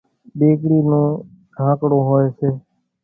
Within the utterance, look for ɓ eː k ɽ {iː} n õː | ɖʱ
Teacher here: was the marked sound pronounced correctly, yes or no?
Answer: yes